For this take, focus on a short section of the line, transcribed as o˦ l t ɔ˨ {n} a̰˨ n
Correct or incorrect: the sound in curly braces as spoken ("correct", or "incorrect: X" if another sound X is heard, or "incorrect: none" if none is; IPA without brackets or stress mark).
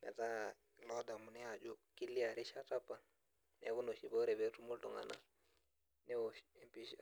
incorrect: ŋ